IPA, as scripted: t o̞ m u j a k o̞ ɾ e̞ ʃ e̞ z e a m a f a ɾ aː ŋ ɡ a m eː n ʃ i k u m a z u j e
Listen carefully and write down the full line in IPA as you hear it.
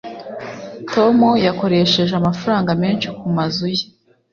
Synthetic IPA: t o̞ m u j a k o̞ ɾ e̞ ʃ e̞ ʒ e a m a f a ɾ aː ŋ ɡ a m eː n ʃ i k u m a z u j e